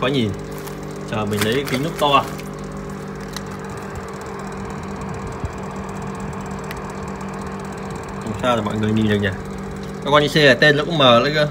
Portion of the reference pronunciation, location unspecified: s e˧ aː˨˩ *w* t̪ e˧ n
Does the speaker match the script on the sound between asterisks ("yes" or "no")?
no